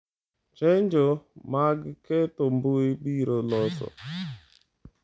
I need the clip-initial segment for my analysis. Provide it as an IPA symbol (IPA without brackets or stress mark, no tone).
t͡ʃ